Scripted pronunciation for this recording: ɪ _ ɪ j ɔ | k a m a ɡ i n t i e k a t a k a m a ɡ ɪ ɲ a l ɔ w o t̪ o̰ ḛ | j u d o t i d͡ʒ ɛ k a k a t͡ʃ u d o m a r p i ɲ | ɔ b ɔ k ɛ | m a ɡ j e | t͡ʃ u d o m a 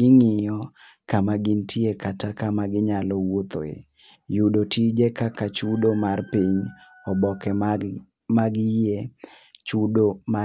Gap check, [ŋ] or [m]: ŋ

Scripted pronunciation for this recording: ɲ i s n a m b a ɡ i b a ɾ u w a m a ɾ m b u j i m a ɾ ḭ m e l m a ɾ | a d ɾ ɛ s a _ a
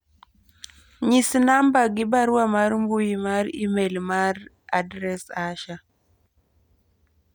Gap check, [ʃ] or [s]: ʃ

